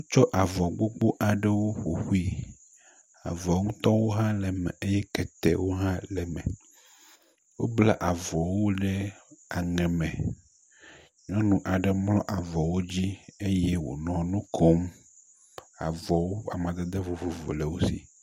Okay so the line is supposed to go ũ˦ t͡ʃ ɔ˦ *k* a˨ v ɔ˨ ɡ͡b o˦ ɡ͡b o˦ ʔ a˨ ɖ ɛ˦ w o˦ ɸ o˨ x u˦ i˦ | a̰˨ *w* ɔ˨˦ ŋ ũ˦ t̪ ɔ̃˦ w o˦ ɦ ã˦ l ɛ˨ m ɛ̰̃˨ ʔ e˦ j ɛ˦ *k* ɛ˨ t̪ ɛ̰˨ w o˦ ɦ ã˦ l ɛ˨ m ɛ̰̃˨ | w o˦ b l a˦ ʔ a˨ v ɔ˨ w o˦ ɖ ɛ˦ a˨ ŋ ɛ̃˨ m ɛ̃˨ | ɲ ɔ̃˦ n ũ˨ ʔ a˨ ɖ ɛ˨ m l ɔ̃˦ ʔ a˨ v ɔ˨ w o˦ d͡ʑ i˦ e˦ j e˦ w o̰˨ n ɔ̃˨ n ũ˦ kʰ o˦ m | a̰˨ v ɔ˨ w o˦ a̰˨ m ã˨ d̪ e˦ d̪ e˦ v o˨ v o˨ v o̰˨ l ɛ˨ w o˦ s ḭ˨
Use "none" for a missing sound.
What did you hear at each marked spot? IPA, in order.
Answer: ʔ, v, k

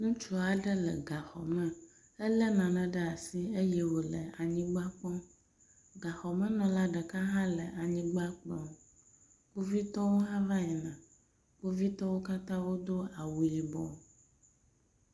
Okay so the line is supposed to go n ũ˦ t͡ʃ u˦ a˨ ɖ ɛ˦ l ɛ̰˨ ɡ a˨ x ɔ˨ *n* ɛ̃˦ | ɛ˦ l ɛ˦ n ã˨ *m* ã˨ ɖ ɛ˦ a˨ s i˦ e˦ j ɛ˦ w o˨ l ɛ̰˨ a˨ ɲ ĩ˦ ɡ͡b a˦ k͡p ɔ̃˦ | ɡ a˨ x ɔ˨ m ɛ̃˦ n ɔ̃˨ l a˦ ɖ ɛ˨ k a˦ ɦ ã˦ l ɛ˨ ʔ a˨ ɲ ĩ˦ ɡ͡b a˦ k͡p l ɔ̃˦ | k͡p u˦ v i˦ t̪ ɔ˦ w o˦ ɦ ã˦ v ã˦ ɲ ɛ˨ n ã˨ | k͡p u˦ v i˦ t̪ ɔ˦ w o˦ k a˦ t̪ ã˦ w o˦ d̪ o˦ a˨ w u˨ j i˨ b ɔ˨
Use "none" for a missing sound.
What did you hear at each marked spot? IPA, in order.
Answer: m, n

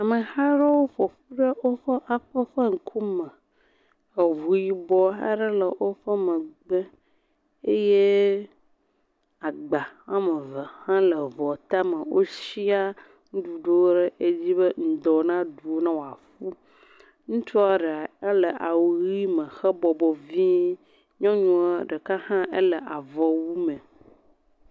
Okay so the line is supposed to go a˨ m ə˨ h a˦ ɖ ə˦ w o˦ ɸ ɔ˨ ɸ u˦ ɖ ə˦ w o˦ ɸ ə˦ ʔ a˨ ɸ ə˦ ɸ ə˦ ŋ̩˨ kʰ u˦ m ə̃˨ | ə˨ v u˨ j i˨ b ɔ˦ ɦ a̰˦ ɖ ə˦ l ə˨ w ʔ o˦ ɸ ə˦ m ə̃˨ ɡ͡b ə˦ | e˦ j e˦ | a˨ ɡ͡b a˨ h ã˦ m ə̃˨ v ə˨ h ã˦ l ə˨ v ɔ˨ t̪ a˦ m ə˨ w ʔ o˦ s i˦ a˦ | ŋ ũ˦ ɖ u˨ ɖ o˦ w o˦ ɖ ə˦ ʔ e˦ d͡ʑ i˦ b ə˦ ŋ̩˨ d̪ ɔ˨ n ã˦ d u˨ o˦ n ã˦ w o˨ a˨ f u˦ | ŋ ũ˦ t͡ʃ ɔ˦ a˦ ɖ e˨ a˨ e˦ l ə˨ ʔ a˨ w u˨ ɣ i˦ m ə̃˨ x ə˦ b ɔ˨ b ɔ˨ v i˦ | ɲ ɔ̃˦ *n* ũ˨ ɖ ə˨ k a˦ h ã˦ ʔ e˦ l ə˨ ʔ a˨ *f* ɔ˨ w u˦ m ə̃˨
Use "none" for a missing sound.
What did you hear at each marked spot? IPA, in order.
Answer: ɲ, v

